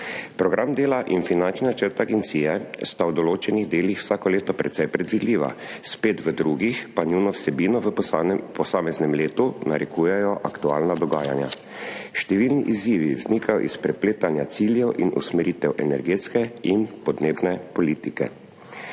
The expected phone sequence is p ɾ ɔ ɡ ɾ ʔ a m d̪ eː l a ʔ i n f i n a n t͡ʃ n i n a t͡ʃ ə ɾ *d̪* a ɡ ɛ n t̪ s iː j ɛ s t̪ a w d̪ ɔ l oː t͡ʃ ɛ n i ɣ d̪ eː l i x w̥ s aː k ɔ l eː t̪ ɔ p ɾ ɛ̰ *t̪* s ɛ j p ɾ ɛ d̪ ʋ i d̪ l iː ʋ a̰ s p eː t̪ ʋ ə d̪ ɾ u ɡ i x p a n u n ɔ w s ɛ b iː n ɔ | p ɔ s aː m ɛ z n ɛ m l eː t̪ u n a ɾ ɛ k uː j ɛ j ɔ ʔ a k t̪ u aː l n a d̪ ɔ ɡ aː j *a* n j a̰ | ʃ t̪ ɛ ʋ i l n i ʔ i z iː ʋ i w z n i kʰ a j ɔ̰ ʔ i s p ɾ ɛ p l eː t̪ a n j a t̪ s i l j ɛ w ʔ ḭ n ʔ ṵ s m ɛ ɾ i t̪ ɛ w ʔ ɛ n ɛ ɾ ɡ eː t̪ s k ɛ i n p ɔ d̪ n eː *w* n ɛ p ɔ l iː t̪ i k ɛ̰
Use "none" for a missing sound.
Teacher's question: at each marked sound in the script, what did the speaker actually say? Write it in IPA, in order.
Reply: t̪, t̪, a, b

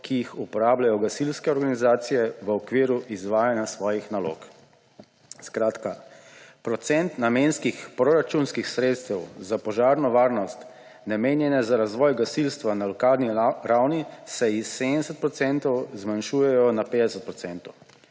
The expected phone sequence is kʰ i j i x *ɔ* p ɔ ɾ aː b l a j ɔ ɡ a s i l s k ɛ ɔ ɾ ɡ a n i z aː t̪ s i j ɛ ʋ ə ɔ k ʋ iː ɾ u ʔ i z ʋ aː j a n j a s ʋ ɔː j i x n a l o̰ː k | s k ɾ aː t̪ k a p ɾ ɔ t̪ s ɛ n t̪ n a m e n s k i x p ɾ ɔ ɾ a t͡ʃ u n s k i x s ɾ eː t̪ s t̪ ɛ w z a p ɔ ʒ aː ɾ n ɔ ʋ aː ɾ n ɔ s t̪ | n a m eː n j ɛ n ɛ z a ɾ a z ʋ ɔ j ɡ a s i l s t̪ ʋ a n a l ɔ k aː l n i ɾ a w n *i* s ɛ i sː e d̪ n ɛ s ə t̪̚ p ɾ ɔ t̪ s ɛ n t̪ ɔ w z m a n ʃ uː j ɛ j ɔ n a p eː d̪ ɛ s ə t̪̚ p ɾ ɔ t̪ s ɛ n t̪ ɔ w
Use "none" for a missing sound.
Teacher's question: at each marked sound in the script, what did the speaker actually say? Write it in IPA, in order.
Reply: u, i

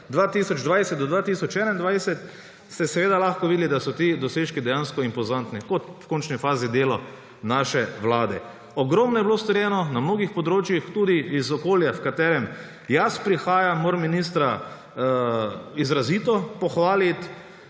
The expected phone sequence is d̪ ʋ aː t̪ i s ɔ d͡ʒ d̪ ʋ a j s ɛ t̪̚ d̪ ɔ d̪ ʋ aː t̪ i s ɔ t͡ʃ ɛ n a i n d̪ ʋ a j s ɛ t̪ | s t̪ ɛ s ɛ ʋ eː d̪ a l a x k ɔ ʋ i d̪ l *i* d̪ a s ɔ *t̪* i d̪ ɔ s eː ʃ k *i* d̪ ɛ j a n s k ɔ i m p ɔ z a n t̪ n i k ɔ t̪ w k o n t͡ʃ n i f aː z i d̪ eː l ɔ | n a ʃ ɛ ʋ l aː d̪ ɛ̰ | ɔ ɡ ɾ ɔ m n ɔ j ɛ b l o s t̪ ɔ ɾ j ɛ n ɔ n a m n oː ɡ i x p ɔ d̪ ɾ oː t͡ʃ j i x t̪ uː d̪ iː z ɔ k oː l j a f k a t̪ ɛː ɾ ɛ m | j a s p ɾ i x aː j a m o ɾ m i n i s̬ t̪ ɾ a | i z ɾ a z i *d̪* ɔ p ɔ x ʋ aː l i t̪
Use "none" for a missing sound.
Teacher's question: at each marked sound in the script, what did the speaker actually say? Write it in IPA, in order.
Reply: i, t̪, i, t̪

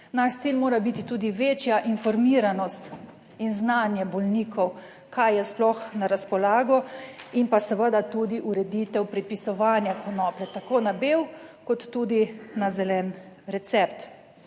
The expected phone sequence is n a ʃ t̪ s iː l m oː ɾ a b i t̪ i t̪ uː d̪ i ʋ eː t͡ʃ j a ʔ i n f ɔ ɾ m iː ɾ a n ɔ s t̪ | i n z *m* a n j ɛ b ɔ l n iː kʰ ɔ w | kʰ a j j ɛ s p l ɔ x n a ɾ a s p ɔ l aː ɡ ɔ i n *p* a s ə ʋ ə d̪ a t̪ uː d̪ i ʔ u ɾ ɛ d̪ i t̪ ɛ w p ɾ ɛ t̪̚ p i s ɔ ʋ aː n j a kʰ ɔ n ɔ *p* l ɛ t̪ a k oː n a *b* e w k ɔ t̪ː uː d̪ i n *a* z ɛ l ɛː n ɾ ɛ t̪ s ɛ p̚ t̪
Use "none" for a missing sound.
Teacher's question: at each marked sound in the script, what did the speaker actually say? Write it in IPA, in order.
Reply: n, p, p, b, a

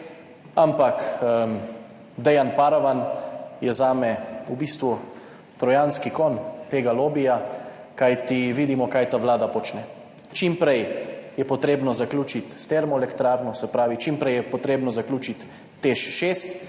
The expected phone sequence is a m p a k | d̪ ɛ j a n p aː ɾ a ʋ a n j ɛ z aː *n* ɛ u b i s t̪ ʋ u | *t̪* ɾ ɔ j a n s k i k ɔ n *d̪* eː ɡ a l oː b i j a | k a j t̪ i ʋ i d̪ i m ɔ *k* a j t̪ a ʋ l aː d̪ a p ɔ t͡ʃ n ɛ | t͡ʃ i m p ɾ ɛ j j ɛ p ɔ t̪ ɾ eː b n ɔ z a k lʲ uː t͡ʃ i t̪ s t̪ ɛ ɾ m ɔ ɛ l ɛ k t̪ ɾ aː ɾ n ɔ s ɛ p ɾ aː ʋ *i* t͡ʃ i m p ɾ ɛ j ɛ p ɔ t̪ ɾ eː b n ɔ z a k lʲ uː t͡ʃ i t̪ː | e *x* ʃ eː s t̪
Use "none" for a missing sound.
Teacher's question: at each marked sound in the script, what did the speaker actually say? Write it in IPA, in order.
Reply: m, t̪, t̪, k, i, ʃ

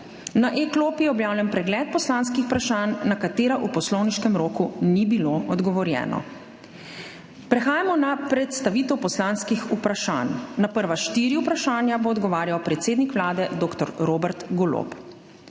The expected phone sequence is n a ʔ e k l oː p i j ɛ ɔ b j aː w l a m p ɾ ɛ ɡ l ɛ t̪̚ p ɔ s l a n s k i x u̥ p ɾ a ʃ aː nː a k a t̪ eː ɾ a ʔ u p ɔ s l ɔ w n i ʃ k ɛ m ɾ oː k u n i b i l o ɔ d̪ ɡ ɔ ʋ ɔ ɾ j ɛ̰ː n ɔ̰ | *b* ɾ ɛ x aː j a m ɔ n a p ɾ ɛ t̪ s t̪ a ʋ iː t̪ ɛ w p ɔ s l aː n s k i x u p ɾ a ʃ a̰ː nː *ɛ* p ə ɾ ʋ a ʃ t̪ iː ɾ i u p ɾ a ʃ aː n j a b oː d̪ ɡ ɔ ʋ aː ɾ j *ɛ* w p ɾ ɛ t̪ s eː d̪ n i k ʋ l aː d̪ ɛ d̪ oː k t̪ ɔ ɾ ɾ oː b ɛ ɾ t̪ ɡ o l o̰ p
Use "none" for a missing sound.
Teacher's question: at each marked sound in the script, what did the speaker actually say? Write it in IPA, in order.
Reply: p, a, a

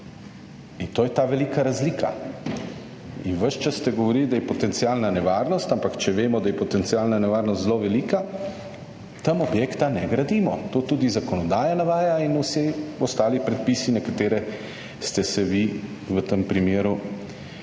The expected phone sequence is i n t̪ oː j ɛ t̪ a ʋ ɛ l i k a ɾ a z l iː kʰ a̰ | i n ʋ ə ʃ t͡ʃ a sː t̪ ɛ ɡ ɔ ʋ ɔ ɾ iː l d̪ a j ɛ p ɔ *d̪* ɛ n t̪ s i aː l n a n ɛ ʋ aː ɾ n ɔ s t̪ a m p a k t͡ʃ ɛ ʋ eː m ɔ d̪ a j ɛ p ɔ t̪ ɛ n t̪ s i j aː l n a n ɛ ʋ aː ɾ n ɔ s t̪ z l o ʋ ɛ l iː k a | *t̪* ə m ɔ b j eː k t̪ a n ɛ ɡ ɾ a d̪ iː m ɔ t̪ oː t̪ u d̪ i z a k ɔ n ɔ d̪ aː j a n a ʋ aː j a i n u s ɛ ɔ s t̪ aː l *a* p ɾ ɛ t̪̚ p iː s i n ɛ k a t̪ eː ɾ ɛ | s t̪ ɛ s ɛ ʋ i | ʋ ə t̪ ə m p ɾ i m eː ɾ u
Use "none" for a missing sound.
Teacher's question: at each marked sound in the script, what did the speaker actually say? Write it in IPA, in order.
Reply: t̪, t̪, i

